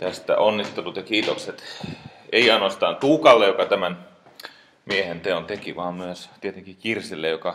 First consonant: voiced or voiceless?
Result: voiceless